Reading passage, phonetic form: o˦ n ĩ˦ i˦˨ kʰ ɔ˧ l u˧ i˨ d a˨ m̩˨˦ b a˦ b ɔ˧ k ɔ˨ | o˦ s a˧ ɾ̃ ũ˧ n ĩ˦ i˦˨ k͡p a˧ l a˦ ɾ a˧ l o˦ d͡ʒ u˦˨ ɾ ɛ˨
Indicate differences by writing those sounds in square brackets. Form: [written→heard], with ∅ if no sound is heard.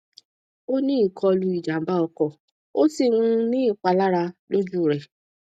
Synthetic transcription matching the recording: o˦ n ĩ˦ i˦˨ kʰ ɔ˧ l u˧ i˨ [d→d͡ʒ] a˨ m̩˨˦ b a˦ [b→∅] ɔ˧ k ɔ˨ | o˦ s [a˧→i˧] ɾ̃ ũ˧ n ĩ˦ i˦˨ k͡p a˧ l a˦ ɾ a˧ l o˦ d͡ʒ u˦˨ ɾ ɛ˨

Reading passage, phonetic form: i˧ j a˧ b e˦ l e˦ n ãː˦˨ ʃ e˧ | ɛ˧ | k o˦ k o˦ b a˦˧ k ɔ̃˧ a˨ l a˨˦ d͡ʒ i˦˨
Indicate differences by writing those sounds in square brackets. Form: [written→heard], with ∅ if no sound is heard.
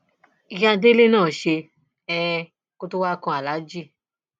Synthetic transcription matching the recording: i˧ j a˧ [b→d] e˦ l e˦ n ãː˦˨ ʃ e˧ | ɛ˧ | k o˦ [k→t] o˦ [b→w] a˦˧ k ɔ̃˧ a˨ l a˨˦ d͡ʒ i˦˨

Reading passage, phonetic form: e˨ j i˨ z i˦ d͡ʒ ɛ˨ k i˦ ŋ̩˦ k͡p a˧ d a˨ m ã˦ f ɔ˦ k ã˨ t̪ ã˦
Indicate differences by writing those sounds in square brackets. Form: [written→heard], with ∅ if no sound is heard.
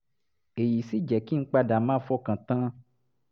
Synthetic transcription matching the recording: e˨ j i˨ [z→s] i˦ d͡ʒ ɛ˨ k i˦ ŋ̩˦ k͡p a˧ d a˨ m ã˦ f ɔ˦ k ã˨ t̪ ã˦

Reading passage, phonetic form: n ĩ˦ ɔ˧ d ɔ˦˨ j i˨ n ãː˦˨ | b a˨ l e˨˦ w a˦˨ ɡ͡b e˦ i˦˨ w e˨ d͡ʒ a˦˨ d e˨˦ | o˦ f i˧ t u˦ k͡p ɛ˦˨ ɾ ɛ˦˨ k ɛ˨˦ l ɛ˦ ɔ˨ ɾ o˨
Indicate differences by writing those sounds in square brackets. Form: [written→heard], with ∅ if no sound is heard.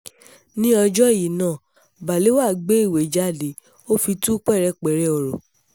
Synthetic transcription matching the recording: n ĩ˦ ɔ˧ [d→d͡ʒ] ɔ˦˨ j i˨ n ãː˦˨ | b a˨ l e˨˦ w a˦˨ ɡ͡b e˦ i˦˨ w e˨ d͡ʒ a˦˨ d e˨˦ | o˦ f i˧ t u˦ k͡p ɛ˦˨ ɾ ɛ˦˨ [k→k͡p] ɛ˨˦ [l→ɾ] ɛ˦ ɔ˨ ɾ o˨

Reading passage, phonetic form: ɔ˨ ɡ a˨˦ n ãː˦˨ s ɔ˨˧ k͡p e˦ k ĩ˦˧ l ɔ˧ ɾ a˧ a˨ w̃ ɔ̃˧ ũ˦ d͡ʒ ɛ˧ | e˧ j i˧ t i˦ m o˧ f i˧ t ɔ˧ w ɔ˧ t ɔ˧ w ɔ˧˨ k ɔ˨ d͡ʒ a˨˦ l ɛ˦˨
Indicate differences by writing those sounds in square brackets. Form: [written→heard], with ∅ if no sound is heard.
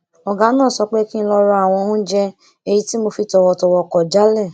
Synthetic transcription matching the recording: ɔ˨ ɡ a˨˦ n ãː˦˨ s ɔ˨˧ k͡p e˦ k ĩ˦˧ l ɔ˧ ɾ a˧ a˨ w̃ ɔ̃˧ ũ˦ d͡ʒ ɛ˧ | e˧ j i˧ t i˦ m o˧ f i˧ t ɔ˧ w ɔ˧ t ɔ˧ w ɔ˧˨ k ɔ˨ d͡ʒ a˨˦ l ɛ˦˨

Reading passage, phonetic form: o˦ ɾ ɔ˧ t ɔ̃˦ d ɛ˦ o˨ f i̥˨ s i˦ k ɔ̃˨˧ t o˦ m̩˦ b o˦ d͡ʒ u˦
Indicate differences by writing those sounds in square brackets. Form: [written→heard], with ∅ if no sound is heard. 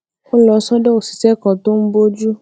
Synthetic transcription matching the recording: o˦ [ɾ→l] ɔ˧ [t→s] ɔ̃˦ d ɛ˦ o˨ [f→s] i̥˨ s [i˦→ɛ˦] k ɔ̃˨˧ t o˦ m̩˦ b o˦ d͡ʒ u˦

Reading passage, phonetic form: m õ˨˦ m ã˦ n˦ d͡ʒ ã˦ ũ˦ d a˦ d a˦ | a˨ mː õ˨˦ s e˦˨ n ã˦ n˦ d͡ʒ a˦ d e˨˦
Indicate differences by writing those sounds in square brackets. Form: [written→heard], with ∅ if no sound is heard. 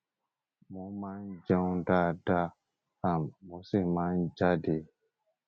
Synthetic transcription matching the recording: m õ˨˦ m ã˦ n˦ d͡ʒ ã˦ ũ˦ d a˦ d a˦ | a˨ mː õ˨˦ s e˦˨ [n→m] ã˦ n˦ d͡ʒ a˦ d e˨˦

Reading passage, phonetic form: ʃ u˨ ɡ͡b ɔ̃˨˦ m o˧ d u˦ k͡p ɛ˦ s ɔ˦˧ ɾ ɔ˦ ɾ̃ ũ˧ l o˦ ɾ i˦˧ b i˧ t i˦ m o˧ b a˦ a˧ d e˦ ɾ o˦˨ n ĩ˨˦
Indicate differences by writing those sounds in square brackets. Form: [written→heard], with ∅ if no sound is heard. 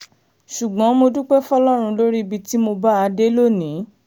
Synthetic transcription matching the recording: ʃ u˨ ɡ͡b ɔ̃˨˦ m o˧ d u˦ k͡p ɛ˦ [s→f] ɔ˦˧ [ɾ→l] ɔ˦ ɾ̃ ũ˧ l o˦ ɾ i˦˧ b i˧ t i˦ m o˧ b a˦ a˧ d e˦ [ɾ→l] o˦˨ n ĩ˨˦

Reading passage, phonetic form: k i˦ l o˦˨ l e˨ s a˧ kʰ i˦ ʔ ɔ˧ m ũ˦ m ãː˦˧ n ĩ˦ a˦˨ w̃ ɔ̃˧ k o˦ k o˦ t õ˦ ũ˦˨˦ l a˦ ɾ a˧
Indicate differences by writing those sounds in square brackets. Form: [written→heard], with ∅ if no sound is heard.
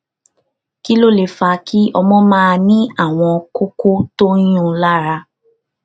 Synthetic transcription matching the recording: k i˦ l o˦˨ l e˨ [s→f] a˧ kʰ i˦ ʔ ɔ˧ m [ũ˦→ɔ̃˦] m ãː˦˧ n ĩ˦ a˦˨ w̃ ɔ̃˧ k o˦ k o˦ t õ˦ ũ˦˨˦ l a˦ ɾ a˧

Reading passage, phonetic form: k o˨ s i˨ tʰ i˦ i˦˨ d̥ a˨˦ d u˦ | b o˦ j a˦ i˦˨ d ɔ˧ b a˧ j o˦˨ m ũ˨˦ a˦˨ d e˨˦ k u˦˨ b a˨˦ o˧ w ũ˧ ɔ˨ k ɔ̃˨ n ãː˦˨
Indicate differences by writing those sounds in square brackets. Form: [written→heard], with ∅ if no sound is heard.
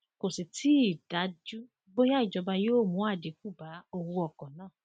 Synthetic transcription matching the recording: k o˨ s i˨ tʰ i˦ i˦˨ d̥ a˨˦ [d→d͡ʒ] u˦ | b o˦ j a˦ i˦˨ [d→d͡ʒ] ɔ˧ b a˧ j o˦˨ m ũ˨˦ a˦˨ d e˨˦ k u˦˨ b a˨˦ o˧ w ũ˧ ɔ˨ k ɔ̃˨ n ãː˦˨

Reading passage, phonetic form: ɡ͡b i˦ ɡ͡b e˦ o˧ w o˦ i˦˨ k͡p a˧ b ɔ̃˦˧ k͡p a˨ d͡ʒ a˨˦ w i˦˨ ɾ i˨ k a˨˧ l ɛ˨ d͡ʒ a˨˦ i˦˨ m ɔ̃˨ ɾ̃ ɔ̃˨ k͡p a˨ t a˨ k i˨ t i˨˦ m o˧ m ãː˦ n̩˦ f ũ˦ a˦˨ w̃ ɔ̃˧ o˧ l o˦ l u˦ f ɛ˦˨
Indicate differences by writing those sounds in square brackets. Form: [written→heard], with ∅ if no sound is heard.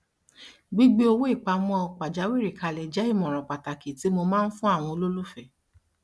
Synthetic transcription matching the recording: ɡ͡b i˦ ɡ͡b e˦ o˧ w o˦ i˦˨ k͡p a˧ [b→m] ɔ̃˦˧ k͡p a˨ d͡ʒ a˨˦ w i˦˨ ɾ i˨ k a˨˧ l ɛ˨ d͡ʒ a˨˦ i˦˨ m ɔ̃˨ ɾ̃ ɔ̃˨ k͡p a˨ t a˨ k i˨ t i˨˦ m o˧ m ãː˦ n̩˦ f ũ˦ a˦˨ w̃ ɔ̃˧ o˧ l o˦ l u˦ f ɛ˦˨

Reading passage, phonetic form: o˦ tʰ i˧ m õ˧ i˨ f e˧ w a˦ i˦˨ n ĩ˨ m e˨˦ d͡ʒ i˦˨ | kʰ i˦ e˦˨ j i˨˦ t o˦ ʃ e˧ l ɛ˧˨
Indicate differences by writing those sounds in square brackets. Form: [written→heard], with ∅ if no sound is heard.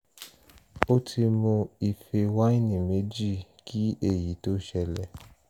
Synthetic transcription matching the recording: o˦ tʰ i˧ m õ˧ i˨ f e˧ w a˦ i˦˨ n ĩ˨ m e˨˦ d͡ʒ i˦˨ | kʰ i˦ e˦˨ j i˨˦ t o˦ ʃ [e˧→ɛ˧] l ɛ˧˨

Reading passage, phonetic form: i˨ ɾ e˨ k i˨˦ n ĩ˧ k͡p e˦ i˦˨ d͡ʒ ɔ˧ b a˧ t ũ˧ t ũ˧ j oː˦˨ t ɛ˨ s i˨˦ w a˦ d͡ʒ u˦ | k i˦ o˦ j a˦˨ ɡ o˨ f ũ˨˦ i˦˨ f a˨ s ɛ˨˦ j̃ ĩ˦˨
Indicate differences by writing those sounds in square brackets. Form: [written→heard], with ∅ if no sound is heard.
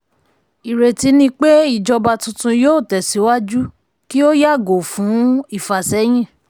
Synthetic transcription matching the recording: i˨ ɾ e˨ [k→t] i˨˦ n ĩ˧ k͡p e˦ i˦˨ d͡ʒ ɔ˧ b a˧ t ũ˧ t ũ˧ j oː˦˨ t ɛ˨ s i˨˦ w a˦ d͡ʒ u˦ | k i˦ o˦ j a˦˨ ɡ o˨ f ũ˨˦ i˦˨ f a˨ s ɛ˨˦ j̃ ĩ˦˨

